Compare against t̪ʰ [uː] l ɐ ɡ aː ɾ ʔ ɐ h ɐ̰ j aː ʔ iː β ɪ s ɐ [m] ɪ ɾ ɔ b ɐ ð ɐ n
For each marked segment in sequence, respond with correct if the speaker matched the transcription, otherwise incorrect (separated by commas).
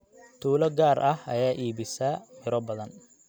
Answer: correct, correct